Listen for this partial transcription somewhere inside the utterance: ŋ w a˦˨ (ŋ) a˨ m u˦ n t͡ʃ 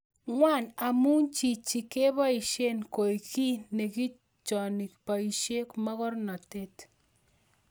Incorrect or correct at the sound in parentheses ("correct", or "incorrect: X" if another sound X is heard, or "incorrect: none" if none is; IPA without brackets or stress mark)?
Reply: incorrect: n